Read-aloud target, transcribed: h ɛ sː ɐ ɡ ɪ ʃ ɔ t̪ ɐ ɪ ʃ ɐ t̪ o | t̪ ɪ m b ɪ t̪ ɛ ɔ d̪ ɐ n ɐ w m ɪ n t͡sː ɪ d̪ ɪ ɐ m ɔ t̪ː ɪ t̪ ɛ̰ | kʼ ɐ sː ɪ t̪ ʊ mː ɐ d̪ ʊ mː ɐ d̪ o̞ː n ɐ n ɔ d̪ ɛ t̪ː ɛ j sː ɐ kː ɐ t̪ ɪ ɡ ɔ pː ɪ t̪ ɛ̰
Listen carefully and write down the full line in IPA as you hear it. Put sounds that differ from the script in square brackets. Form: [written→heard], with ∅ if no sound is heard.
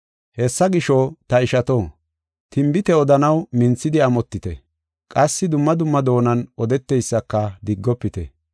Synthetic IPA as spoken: h ɛ sː ɐ ɡ ɪ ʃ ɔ t̪ ɐ ɪ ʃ ɐ t̪ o | t̪ ɪ m b ɪ t̪ ɛ ɔ d̪ ɐ n ɐ w m ɪ n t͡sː ɪ d̪ ɪ ɐ m ɔ t̪ː ɪ t̪ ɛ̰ | kʼ ɐ sː ɪ [t̪→d̪] ʊ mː ɐ d̪ ʊ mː ɐ d̪ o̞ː n ɐ n ɔ d̪ ɛ t̪ː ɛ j sː ɐ kː ɐ [t̪→d̪] ɪ [ɡ→ɡː] ɔ pː ɪ t̪ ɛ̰